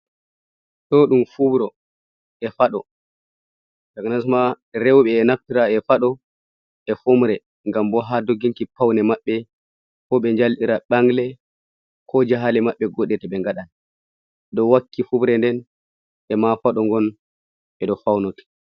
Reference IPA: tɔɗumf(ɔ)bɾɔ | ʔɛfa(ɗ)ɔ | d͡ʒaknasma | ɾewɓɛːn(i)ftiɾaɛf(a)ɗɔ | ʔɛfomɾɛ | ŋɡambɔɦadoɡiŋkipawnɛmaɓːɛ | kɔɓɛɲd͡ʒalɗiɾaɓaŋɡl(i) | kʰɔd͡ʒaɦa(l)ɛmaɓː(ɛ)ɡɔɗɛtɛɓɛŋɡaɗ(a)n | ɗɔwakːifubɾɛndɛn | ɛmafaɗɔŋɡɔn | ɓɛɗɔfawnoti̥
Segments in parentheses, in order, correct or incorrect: incorrect: u, correct, incorrect: a, correct, incorrect: ɛ, correct, correct, correct

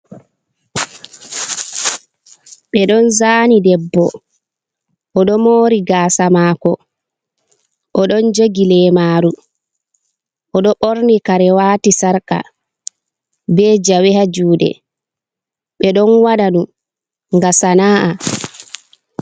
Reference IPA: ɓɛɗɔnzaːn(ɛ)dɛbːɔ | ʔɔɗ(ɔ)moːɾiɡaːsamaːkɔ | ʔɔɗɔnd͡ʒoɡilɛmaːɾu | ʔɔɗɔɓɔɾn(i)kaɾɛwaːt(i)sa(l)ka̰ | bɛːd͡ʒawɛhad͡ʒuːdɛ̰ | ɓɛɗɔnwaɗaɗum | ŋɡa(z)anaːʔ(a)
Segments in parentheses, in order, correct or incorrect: incorrect: i, correct, correct, correct, incorrect: ɾ, incorrect: s, correct

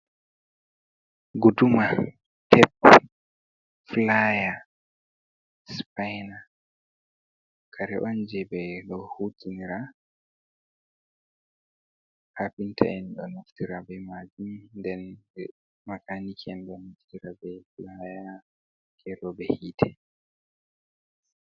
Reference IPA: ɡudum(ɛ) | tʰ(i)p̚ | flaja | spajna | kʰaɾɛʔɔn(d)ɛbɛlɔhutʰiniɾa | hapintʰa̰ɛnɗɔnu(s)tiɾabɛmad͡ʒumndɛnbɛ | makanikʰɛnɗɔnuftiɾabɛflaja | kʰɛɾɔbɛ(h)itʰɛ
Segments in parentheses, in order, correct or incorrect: incorrect: a, incorrect: ɛ, incorrect: d͡ʒ, incorrect: f, correct

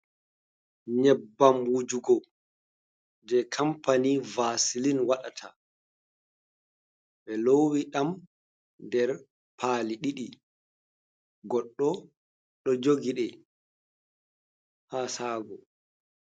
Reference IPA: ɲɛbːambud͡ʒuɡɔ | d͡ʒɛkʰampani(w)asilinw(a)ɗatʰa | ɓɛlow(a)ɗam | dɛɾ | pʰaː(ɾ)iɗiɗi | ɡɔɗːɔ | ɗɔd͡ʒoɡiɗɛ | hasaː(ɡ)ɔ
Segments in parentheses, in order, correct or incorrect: incorrect: v, correct, incorrect: i, incorrect: l, correct

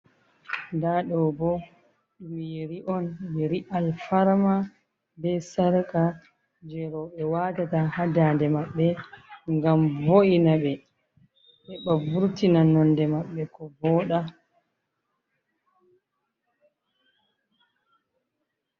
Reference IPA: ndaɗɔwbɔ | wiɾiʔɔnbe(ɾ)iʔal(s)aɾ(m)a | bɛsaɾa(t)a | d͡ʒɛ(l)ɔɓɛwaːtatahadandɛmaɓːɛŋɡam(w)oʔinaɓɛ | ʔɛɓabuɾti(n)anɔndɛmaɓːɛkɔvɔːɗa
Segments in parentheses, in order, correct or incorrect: correct, incorrect: f, correct, incorrect: k, incorrect: ɾ, incorrect: v, correct

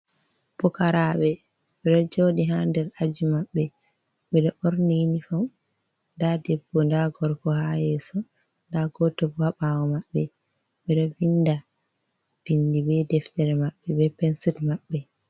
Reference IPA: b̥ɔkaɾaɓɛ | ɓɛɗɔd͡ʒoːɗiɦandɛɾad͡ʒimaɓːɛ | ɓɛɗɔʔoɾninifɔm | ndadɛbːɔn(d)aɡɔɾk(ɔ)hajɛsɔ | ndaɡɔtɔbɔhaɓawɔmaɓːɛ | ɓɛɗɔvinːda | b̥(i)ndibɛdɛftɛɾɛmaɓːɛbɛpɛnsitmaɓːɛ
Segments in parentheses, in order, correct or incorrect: correct, correct, correct

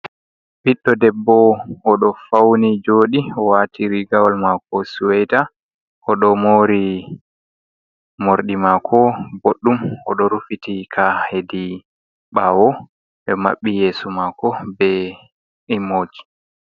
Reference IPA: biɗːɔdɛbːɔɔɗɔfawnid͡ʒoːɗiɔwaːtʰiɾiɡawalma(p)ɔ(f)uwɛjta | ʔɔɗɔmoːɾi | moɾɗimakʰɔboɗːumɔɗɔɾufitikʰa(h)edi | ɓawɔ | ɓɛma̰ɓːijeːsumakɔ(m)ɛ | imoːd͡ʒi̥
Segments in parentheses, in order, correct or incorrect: incorrect: k, incorrect: s, correct, incorrect: b

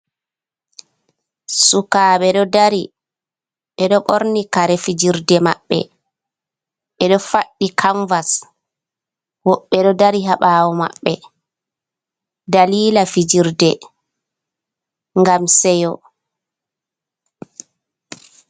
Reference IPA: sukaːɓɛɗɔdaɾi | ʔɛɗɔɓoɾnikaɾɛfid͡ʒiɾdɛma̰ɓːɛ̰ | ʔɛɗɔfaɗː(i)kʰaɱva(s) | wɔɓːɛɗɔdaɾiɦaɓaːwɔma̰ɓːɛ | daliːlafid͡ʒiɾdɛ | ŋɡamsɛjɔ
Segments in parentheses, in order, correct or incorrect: correct, correct

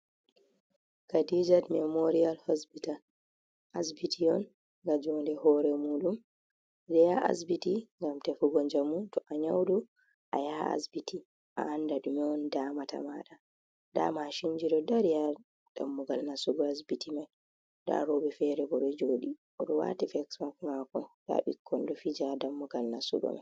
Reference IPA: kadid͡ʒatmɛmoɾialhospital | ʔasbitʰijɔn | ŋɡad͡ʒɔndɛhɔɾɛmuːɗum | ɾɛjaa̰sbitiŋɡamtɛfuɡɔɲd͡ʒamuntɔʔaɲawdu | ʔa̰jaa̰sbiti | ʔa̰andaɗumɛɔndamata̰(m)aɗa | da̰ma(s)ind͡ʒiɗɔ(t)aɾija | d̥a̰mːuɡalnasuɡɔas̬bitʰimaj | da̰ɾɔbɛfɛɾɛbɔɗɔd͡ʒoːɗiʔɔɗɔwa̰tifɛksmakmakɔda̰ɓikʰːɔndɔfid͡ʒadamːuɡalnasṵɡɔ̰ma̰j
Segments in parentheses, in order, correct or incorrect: correct, incorrect: ʃ, incorrect: d

